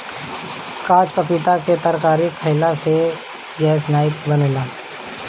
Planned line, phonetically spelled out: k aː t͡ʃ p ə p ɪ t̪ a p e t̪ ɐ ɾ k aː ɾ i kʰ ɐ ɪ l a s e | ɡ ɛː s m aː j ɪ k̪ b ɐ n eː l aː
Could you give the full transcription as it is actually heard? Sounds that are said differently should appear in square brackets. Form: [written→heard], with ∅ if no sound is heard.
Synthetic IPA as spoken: k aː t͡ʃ p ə p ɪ t̪ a [p→k] e t̪ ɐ ɾ k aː ɾ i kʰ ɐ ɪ l a s e | ɡ ɛː s [m→n] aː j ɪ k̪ b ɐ n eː l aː